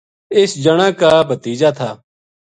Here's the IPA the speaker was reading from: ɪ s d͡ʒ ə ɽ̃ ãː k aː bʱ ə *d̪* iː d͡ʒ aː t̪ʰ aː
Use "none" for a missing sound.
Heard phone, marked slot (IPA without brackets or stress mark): t̪